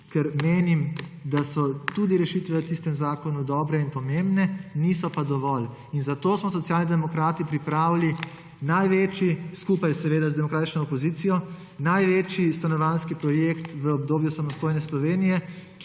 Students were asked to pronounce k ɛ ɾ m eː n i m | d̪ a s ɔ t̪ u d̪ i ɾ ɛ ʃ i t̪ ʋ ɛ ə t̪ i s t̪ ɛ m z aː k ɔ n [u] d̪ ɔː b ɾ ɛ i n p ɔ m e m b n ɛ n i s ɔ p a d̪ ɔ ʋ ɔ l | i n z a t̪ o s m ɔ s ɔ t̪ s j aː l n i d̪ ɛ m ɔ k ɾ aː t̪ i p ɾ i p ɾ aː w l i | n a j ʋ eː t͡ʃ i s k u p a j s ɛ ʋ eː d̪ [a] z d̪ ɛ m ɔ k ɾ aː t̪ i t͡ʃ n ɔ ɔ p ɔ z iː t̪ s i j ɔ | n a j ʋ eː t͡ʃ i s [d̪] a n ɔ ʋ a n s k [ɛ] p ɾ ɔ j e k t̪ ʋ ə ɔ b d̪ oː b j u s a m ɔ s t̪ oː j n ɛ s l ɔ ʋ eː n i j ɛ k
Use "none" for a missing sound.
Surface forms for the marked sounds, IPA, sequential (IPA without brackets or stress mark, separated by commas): u, a, t̪, i